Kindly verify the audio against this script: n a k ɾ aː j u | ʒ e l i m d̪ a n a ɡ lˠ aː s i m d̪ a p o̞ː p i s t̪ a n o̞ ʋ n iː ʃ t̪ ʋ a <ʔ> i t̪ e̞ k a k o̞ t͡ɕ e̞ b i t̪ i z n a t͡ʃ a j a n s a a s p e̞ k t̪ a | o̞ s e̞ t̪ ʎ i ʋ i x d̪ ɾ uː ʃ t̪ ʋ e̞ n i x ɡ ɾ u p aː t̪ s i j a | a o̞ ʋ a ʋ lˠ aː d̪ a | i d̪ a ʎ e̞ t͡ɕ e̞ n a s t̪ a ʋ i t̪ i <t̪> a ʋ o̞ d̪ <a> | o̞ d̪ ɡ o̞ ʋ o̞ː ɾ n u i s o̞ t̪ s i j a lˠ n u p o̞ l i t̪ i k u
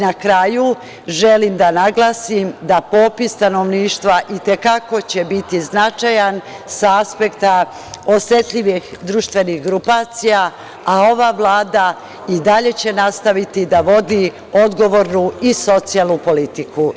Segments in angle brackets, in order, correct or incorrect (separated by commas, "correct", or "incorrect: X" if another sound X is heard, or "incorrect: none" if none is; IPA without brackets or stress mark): correct, incorrect: d̪, incorrect: i